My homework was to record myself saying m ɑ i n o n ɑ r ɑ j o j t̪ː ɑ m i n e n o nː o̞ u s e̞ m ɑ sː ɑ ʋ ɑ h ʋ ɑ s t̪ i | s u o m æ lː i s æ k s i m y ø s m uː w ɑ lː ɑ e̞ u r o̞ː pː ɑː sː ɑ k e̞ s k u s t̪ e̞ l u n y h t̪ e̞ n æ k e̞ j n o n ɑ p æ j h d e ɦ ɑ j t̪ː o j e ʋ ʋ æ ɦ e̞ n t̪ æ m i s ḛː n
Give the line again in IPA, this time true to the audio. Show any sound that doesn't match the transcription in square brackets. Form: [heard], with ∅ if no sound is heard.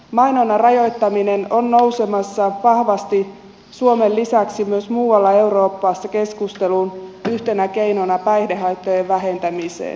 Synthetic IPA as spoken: m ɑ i n o n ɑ r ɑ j o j t̪ː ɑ m i n e n o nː o̞ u s e̞ m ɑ sː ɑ ʋ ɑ h ʋ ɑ s t̪ i | s u o m [e] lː i s æ k s i m y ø s m uː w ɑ lː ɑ e̞ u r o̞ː pː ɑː sː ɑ k e̞ s k u s t̪ e̞ l u n y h t̪ e̞ n æ k e̞ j n o n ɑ p æ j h d e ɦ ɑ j t̪ː o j e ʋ ʋ æ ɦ e̞ n t̪ æ m i s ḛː n